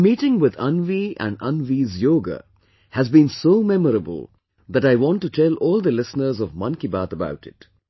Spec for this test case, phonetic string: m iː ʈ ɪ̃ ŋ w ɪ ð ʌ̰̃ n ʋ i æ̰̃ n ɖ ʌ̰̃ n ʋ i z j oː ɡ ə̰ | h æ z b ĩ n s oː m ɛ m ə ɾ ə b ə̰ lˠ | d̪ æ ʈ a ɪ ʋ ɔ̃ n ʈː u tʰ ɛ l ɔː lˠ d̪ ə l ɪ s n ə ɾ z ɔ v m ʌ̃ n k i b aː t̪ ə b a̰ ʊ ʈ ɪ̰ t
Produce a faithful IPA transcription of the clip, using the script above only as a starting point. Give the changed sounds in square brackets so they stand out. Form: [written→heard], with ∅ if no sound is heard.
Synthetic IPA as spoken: m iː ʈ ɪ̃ ŋ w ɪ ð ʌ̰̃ n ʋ i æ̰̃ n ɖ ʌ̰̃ n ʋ i z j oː ɡ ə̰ | h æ z b ĩ n s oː m ɛ m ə ɾ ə b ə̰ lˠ | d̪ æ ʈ a ɪ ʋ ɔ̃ n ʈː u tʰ ɛ l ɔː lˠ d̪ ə l ɪ s n ə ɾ z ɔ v m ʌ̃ n k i b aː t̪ ə b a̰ ʊ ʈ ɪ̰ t

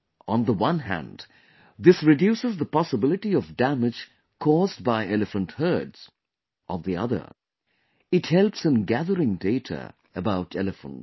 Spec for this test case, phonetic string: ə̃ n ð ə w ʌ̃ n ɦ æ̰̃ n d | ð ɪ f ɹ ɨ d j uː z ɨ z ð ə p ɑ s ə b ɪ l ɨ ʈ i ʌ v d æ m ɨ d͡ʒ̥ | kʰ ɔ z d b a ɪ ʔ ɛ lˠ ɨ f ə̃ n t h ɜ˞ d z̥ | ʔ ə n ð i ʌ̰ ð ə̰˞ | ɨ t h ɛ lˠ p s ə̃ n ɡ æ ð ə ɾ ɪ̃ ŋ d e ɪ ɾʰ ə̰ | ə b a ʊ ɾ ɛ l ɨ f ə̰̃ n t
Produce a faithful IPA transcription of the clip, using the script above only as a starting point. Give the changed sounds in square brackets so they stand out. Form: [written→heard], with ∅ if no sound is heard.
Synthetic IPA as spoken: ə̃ n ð ə w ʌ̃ n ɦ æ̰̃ n d | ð ɪ [f→s] ɹ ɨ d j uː [z→s] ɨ z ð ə p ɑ s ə b ɪ l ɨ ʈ i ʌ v d æ m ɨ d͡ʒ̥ | kʰ ɔ z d b a ɪ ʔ ɛ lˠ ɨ f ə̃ n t h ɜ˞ d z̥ | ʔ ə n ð i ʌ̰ ð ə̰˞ | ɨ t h ɛ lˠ p s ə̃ n ɡ æ ð ə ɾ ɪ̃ ŋ d e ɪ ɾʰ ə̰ | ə b a ʊ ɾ ɛ l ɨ f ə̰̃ n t

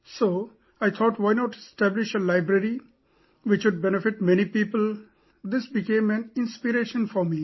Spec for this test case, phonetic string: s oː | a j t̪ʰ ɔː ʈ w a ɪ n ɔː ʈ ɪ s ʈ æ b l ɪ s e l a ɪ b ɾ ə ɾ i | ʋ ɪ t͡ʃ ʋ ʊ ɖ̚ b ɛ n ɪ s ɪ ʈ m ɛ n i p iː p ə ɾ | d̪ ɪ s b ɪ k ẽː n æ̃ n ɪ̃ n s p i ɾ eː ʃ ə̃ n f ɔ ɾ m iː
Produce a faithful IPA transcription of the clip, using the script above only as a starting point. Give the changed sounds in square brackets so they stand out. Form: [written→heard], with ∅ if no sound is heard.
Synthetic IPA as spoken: s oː | a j t̪ʰ ɔː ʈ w a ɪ n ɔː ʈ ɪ s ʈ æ b l ɪ [s→ʃ] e l a ɪ b ɾ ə ɾ i | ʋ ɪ t͡ʃ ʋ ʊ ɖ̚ b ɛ n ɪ [s→f] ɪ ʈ m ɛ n i p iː p ə [ɾ→l] | d̪ ɪ s b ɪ k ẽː [n→m] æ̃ n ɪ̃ n s p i ɾ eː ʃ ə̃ n f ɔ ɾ m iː

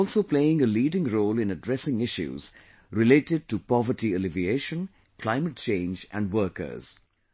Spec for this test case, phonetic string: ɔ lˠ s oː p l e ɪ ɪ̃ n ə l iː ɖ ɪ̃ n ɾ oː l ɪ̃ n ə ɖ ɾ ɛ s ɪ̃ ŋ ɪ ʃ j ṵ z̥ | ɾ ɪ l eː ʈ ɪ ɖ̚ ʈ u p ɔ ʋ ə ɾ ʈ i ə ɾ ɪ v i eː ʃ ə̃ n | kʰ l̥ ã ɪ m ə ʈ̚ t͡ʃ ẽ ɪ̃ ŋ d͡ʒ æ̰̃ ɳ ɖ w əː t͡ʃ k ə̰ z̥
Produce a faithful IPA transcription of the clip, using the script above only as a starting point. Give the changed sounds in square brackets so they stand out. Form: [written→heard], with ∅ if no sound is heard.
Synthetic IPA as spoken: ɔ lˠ s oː p l e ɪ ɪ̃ [n→ŋ] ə l iː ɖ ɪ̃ [n→ŋ] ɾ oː l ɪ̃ n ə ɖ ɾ ɛ s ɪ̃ ŋ ɪ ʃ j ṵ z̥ | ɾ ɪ l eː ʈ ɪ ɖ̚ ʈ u p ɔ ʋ ə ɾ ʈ i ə [ɾ→l] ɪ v i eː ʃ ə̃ n | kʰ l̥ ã ɪ m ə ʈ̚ t͡ʃ ẽ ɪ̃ [ŋ→n] d͡ʒ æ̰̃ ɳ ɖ w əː [t͡ʃ→∅] k ə̰ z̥

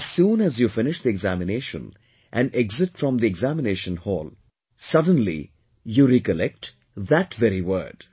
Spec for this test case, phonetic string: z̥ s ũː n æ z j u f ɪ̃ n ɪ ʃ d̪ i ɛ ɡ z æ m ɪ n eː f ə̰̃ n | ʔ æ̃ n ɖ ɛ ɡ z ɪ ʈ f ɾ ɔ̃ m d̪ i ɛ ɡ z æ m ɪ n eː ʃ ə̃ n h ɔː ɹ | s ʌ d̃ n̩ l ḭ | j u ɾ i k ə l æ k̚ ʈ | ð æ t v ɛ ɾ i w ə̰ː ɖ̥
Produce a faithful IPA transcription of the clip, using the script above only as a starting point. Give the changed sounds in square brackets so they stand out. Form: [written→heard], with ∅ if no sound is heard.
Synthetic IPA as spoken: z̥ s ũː n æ z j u f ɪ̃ n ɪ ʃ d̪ i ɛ ɡ z æ m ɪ n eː [f→ʃ] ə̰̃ n | ʔ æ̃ n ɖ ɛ ɡ z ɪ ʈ f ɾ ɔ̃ m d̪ i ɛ ɡ z æ m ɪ n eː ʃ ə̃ n h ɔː [ɹ→l] | s ʌ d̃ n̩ l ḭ | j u ɾ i k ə l [æ→ɛ] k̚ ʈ | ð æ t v ɛ ɾ i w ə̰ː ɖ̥

